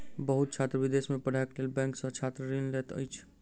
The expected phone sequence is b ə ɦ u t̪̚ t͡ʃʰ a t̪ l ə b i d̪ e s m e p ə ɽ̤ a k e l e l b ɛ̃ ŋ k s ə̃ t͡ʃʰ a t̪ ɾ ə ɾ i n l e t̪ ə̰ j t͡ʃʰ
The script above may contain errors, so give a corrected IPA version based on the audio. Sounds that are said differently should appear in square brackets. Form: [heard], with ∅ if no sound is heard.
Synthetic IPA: b ə ɦ u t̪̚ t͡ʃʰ a t̪ [ɾ] ə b i d̪ e s m e p ə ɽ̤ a k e l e l b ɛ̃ ŋ k s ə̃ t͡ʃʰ a t̪ ɾ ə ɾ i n l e t̪ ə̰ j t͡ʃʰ